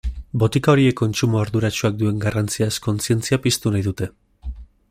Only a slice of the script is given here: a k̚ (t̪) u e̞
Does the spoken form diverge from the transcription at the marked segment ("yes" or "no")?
yes